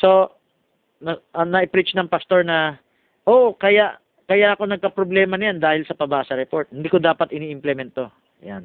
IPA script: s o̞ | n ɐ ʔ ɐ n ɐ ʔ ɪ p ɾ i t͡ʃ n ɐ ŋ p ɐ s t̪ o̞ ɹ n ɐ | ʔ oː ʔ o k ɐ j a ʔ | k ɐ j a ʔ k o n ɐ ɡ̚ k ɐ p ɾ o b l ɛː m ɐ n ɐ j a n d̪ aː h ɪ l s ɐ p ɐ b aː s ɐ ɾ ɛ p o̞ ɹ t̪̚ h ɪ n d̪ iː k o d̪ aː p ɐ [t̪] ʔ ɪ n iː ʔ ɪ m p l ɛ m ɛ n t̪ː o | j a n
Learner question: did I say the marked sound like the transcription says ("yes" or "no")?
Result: yes